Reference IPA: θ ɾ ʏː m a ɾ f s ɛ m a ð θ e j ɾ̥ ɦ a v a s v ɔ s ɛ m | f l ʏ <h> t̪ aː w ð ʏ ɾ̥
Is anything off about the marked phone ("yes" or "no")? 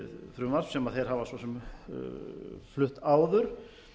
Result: no